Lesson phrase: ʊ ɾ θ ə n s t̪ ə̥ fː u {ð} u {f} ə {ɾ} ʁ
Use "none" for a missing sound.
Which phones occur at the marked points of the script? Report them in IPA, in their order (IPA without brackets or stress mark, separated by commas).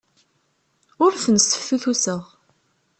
θ, s, none